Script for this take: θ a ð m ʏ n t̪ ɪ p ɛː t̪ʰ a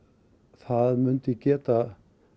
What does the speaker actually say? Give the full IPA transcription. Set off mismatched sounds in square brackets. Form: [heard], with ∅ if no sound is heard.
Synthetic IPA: θ a ð m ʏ n t̪ ɪ [c] ɛː [t̪] a

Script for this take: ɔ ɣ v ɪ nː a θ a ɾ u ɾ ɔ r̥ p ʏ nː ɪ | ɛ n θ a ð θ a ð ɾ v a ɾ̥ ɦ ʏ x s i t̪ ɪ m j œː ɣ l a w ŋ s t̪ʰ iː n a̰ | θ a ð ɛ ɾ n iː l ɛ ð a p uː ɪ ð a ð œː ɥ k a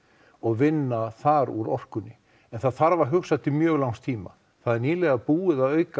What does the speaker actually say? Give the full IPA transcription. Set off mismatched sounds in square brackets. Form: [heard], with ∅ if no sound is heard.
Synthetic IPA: ɔ ɣ v ɪ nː a θ a ɾ u ɾ ɔ r̥ [k] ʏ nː ɪ | ɛ n θ a ð θ a [∅] ɾ v a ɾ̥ ɦ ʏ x s [a] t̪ ɪ m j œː ɣ l a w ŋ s t̪ʰ iː [m] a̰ | θ a ð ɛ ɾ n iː l ɛ [ɣ] a p uː ɪ ð a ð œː ɥ k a

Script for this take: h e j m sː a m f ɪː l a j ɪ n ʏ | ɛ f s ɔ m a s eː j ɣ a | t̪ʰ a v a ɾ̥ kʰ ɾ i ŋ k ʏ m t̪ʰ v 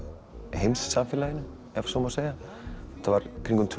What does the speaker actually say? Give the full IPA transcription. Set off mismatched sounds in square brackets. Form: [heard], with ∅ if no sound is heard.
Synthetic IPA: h e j m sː a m f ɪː l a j ɪ n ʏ | ɛ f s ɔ m a s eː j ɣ a | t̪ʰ a v a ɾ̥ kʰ ɾ i ŋ k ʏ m t̪ʰ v

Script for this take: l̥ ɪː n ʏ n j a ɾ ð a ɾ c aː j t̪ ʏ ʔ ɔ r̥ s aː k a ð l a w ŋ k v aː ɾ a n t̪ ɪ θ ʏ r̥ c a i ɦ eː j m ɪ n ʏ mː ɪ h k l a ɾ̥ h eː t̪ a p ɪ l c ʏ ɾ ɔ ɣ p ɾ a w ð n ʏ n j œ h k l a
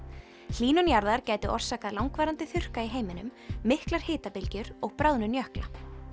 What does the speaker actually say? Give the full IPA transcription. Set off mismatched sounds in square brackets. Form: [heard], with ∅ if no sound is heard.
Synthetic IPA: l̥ [iː] n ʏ n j a ɾ ð a ɾ c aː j t̪ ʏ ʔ ɔ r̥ s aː k a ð l a w ŋ k v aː ɾ a n t̪ ɪ θ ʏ r̥ [k] a i ɦ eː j m ɪ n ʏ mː ɪ h k l a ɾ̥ h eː t̪ a p ɪ l c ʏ ɾ ɔ ɣ p ɾ a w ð n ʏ n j œ h k l a

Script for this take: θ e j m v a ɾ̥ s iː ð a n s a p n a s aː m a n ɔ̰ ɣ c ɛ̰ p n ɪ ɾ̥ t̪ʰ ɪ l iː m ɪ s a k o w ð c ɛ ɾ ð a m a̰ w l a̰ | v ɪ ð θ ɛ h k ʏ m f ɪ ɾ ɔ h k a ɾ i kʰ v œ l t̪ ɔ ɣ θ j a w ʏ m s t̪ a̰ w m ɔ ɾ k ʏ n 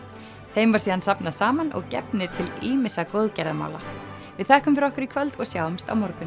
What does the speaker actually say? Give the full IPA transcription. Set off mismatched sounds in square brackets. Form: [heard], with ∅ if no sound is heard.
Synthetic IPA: θ e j m v a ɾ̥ s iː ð a n s a p n a s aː m a n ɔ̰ ɣ c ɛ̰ p n ɪ ɾ̥ t̪ʰ ɪ l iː m ɪ s a k o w ð c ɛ ɾ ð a m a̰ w l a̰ | v ɪ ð θ ɛ h k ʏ m f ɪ ɾ ɔ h k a ɾ i kʰ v œ l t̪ ɔ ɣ [s] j a w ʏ m s t̪ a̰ w m ɔ ɾ k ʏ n

